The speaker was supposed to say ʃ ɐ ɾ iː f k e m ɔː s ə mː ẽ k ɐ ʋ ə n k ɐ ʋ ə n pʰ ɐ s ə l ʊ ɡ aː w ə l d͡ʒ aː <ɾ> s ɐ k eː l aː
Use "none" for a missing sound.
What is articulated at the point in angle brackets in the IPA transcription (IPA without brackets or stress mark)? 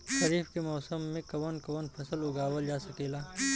none